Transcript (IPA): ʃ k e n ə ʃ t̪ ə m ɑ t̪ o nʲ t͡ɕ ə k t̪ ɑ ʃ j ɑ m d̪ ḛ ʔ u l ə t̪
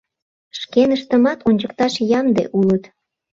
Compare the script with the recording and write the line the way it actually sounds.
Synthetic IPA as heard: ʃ k e n ə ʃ t̪ ə m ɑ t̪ o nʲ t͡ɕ ə k t̪ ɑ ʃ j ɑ m d̪ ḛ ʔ u l ə t̪